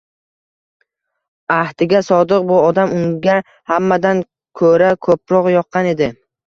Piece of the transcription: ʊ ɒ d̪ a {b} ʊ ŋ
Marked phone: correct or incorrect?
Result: incorrect